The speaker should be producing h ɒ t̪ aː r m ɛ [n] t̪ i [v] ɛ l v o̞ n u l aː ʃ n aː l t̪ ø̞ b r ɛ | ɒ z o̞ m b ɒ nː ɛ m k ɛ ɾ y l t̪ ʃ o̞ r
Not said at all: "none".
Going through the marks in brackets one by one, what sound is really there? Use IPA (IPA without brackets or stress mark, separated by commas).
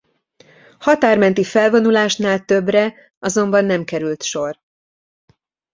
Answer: n, f